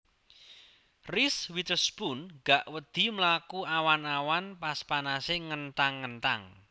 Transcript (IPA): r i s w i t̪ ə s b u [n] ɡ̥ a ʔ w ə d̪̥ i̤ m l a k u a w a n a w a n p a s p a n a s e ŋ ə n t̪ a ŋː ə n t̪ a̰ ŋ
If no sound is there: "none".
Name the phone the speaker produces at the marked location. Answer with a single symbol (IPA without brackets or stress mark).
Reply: n